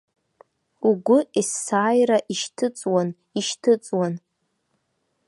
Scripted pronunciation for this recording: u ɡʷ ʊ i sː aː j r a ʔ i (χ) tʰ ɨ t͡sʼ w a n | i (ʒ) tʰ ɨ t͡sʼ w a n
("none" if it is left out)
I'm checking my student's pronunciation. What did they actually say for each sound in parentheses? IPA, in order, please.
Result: ʃ, ʃ

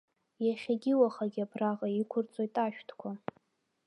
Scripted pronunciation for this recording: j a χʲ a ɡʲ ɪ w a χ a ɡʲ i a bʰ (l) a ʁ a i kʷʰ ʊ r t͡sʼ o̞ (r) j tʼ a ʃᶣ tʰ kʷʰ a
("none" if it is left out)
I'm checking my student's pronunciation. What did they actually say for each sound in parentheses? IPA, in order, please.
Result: r, none

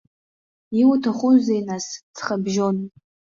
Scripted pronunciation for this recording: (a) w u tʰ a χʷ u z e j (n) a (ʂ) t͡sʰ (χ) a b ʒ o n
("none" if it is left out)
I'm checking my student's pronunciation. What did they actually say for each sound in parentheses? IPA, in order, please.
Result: i, n, s, χ

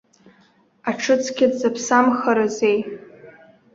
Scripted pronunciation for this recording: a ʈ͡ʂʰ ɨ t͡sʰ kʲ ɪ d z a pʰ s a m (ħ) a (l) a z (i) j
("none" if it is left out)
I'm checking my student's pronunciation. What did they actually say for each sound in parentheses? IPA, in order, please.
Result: χ, ɾ, e

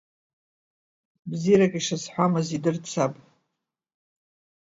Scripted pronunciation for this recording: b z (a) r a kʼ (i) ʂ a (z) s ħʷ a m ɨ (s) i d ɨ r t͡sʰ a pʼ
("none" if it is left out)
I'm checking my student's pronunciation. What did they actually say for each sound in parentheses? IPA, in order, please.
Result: i, i, none, z

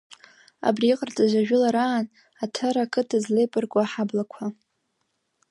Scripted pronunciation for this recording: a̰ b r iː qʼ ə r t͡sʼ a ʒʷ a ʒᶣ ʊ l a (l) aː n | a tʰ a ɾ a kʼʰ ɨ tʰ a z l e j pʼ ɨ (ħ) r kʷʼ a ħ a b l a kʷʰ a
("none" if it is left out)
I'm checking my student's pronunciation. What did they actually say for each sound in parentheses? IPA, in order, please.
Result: ɾ, none

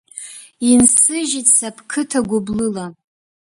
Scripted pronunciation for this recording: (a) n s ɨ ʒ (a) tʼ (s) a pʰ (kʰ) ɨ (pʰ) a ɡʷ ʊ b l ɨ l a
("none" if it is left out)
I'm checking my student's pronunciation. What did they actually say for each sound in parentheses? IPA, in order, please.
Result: i, i, s, kʰ, tʰ

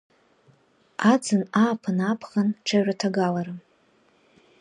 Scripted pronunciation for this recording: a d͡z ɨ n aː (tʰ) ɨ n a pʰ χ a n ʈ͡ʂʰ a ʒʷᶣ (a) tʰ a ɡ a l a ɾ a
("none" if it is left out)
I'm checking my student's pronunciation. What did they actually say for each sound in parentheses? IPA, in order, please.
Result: pʰ, a

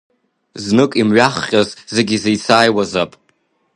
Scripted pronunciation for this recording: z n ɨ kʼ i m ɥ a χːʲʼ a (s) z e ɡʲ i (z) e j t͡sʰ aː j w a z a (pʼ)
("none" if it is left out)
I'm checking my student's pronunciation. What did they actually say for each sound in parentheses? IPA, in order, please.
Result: z, z, pʼ

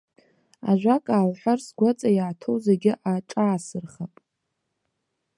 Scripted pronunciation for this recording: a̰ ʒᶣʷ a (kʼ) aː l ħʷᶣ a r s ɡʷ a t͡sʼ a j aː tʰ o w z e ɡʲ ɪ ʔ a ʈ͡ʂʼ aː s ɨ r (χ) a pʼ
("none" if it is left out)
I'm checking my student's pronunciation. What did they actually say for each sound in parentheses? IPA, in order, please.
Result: kʼ, χ

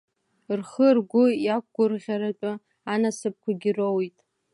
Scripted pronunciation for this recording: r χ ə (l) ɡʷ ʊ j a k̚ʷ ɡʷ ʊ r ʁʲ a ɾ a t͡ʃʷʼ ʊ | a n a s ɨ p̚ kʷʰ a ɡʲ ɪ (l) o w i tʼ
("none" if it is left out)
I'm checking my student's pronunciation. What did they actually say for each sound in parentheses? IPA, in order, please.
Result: r, r

